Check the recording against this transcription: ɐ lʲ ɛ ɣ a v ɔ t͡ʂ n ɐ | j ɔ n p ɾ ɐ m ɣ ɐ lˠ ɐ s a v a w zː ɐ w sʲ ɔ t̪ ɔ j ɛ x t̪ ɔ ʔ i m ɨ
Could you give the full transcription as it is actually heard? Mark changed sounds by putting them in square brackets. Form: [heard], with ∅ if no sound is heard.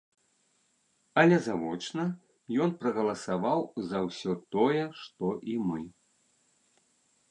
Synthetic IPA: ɐ lʲ ɛ [z] a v ɔ t͡ʂ n ɐ | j ɔ n p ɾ ɐ [∅] ɣ ɐ lˠ ɐ s a v a w [z] ɐ w sʲ ɔ t̪ ɔ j ɛ [ʂ] t̪ ɔ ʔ i m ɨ